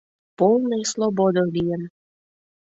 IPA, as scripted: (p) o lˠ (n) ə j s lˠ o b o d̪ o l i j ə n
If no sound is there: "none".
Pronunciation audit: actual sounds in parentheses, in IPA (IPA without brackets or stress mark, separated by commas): p, n